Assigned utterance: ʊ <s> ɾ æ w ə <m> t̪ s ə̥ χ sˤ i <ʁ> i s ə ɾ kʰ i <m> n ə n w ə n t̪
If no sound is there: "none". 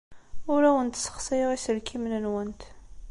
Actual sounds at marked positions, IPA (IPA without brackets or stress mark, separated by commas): none, n, ʁ, m